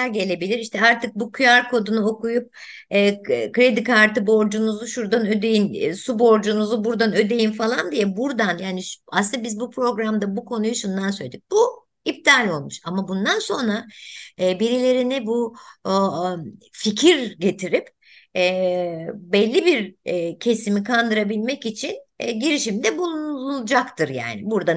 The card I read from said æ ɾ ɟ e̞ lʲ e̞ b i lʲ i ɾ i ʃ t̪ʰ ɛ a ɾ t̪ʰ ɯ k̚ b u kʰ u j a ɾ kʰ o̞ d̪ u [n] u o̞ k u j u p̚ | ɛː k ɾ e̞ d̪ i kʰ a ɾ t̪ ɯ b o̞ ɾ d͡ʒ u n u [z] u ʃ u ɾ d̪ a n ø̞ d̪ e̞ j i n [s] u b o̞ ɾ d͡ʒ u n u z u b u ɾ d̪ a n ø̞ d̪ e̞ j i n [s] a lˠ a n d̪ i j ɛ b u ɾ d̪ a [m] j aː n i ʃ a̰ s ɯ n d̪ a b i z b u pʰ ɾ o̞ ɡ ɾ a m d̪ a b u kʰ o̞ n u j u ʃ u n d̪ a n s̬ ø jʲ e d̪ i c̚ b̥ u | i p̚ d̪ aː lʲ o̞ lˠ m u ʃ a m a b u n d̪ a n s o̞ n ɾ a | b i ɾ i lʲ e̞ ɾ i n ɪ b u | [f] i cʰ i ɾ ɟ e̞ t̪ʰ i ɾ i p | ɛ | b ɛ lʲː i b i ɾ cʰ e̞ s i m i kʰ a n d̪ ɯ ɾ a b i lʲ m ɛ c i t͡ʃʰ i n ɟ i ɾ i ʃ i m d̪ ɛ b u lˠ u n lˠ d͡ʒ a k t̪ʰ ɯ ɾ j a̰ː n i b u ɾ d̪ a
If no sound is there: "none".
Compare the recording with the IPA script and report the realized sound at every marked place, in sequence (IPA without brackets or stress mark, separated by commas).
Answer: n, z, s, f, n, f